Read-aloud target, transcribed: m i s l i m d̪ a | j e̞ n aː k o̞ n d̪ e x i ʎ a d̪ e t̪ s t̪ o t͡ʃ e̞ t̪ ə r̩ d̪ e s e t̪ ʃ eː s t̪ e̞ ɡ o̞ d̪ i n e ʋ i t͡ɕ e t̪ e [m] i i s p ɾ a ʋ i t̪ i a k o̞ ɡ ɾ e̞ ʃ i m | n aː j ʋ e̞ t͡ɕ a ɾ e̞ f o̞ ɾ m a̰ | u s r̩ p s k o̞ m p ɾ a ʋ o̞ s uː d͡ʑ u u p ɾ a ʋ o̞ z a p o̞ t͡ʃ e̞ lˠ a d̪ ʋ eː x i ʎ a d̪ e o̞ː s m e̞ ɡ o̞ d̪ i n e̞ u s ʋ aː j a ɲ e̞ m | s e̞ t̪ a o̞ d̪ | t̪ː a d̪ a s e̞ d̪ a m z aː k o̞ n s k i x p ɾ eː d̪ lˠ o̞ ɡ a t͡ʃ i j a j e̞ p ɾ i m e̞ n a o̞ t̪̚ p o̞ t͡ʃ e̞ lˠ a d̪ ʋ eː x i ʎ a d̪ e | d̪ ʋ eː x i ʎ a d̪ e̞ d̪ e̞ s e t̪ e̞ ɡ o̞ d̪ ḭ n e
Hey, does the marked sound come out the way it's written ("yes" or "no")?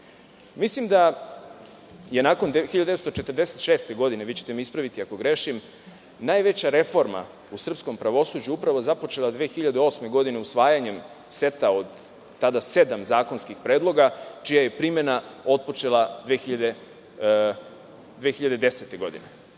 yes